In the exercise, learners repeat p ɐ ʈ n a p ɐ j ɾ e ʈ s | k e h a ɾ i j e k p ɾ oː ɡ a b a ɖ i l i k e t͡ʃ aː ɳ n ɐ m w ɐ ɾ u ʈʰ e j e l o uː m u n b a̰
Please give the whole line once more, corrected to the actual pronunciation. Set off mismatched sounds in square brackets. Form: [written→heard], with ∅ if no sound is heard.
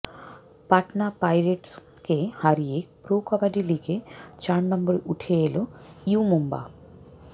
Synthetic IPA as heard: p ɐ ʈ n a p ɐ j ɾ e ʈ s | k e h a ɾ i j e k p ɾ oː [ɡ→k] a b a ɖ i l i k e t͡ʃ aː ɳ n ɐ m [w→b] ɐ ɾ u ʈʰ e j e l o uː m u [n→m] b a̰